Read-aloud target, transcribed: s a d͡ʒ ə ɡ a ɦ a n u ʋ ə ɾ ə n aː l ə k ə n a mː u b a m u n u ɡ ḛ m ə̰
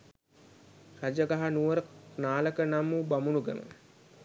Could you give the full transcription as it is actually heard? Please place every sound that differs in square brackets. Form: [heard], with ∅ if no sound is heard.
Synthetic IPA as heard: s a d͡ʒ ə ɡ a ɦ a n u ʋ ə ɾ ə n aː l ə k ə n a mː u b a m u n u ɡ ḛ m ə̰

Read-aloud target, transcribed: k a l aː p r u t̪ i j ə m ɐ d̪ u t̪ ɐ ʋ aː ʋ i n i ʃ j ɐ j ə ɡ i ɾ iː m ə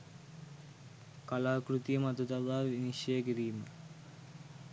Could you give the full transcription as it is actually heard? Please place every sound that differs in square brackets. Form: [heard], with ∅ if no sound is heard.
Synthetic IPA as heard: k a l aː [k] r u t̪ i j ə m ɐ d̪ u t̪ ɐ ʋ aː ʋ i n i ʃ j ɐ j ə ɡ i ɾ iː m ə

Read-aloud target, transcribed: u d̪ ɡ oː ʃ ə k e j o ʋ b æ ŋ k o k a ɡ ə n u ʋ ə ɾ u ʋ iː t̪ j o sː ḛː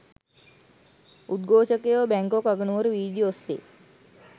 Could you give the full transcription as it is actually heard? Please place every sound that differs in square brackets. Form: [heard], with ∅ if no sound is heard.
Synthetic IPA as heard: u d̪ ɡ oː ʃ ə k e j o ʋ b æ ŋ k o k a ɡ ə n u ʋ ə ɾ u ʋ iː [d̪] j o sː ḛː

